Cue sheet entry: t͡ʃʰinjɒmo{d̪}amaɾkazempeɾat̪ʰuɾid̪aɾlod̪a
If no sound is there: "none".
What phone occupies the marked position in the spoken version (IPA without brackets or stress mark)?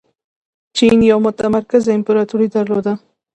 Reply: t̪